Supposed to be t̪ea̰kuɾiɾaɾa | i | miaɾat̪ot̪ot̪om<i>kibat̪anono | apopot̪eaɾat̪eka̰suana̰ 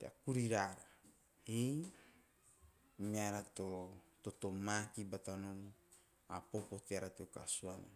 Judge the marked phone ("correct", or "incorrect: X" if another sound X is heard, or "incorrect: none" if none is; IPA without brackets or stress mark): incorrect: a